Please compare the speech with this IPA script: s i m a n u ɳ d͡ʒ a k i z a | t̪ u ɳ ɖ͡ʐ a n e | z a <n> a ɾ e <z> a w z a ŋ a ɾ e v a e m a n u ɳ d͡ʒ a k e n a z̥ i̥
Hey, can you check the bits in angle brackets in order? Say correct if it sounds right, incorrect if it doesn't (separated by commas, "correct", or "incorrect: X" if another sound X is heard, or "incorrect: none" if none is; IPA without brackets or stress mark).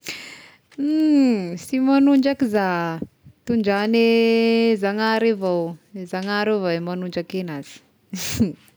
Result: incorrect: ŋ, incorrect: v